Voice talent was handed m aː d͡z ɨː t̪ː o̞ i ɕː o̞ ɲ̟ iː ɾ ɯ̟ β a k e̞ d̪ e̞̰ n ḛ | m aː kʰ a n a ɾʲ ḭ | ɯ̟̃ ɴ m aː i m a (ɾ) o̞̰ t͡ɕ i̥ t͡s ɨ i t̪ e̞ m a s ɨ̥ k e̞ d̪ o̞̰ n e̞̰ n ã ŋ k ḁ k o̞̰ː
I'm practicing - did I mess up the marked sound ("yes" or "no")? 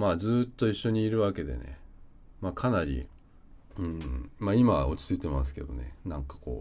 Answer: yes